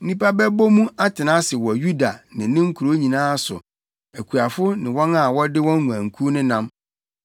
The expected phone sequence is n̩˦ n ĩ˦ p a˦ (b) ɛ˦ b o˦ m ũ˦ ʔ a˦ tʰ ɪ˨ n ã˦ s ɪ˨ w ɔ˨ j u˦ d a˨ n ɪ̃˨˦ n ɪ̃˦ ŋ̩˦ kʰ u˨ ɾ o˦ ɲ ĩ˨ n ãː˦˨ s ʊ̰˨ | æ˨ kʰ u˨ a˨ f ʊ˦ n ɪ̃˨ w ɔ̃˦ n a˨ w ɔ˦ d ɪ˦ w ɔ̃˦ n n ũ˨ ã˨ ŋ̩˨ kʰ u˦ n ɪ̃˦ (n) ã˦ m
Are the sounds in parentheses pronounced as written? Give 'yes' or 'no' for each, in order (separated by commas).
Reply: yes, yes